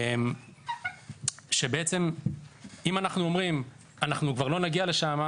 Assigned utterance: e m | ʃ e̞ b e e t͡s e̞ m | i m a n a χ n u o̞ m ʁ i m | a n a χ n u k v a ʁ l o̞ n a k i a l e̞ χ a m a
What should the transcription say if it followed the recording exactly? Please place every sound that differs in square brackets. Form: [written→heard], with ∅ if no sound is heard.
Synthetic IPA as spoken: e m | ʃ e̞ b e e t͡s e̞ m | i m a n a χ n u o̞ m ʁ i m | a n a χ n u k v a ʁ l o̞ n a [k→ɡ] i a l e̞ [χ→ʃ] a m a

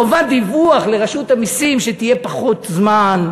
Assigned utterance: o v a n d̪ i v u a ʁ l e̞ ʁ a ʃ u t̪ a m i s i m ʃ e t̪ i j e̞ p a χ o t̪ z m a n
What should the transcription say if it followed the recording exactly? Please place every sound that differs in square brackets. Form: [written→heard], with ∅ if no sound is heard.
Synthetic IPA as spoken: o v a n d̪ i v u a [ʁ→χ] l e̞ ʁ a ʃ u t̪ a m i s i m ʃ e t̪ i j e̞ p a χ o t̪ z m a n

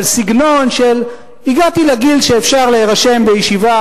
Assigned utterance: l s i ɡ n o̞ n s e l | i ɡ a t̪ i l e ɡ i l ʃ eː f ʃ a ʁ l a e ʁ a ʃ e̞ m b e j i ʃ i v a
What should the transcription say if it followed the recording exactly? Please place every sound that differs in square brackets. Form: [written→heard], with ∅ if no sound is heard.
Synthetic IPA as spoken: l s i ɡ n o̞ n [s→ʃ] e l | i ɡ a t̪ i l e ɡ i l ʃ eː f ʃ a ʁ l [a→e] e ʁ a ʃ e̞ m b e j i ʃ i v a

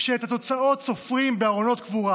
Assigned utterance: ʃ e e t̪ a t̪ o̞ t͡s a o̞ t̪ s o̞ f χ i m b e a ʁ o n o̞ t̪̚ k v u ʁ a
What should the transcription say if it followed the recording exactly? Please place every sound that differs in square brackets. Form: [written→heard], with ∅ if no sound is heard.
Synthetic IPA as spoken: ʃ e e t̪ a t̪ o̞ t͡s a o̞ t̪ s o̞ f [χ→ʁ] i m b e a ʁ o n o̞ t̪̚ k v u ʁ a

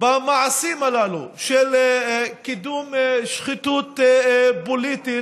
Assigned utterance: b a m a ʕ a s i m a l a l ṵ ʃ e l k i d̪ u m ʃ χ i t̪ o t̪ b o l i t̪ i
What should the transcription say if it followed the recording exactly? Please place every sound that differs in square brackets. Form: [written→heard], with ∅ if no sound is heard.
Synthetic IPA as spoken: b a m a ʕ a s i m a l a l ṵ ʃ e l k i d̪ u m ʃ χ i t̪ [o→u] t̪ b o l i t̪ i

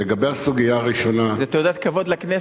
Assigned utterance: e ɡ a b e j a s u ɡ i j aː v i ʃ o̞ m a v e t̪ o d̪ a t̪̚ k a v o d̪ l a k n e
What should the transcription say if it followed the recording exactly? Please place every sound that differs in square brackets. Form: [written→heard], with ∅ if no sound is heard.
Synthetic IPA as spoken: e ɡ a b e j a s u ɡ i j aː [v→ʁ] i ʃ o̞ [m→n] a [v→z] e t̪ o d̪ a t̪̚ k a v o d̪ l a k n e

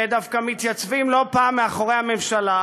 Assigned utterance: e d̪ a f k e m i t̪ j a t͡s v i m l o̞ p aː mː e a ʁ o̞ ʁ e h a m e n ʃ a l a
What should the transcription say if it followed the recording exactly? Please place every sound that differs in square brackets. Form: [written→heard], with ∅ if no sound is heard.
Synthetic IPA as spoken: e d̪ a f k [e→a] m i t̪ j a t͡s v i m l o̞ p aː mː e a [ʁ→χ] o̞ ʁ e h a m e [n→m] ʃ a l a

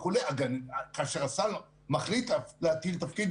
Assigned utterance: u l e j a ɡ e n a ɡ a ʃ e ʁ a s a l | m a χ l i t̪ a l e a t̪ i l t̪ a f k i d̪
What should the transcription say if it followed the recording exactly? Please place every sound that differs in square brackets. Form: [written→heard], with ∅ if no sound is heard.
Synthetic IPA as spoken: u l e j a ɡ [e→a] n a [ɡ→k] a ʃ e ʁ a s a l | m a χ l i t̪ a l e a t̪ i l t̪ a f k i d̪

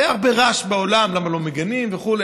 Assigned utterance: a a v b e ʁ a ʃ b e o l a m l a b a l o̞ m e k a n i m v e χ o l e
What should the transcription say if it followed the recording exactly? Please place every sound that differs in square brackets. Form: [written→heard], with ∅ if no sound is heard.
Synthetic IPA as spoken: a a [v→ʁ] b e ʁ a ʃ b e o l a m l a [b→m] a l o̞ m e [k→ɡ] a n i m v e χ [o→u] l e

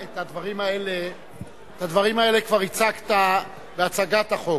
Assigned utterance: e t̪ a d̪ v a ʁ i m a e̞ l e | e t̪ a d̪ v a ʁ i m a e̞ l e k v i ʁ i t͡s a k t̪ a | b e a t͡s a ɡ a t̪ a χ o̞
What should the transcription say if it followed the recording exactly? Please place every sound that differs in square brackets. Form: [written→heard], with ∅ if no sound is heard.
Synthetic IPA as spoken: e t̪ a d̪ v a ʁ i m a e̞ l e | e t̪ a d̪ v a ʁ i m a e̞ l e k v [i→a] ʁ i t͡s a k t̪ a | b e a t͡s a ɡ a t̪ a χ o̞

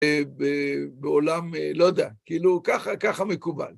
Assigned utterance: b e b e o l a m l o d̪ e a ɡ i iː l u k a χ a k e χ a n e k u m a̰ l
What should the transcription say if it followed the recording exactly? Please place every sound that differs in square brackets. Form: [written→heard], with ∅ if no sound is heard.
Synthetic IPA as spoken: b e b e o l a m l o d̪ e a [ɡ→k] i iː l u k a χ a k [e→a] χ a [n→m] e k u [m→b] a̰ l

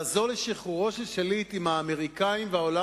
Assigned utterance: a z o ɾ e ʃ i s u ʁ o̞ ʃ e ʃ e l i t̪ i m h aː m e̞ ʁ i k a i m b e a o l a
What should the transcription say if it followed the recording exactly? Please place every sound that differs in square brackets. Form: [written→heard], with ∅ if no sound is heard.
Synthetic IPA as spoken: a z o [ɾ→l] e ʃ i [s→χ] u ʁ o̞ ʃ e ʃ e l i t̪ i m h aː m e̞ ʁ i k a i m [b→v] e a o l a

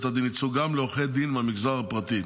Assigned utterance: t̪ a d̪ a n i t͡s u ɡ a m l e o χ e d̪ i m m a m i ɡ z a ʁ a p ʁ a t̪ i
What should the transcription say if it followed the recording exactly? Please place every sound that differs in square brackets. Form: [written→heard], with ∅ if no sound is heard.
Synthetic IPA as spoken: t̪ a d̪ [a→i] n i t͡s u ɡ a m l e o χ e d̪ i [m→n] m a m i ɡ z a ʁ a p ʁ a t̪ i

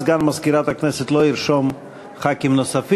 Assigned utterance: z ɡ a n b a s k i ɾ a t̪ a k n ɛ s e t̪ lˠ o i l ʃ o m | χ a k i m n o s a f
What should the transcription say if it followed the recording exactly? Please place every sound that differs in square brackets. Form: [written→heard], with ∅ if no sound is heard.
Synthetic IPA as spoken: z ɡ a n [b→m] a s k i ɾ a t̪ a k n ɛ s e t̪ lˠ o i [l→ɾ] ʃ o m | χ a k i m n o s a f

